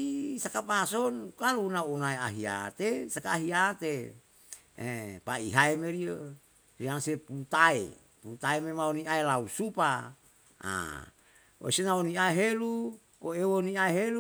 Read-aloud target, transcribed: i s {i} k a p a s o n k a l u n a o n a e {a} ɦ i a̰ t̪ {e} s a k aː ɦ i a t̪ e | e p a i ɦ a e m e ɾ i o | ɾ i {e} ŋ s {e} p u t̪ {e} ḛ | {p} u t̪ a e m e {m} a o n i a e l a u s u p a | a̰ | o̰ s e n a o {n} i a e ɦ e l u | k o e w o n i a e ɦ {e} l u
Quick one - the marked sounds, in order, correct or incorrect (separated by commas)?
incorrect, correct, correct, incorrect, correct, incorrect, correct, correct, correct, correct